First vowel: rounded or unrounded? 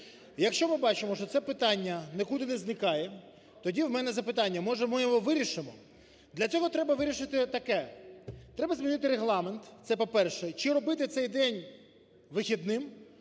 unrounded